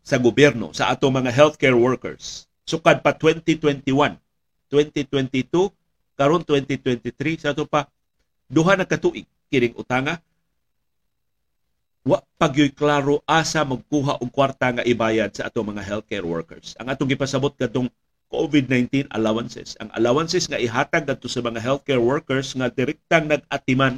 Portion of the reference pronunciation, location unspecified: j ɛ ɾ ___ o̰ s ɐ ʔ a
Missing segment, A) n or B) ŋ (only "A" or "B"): A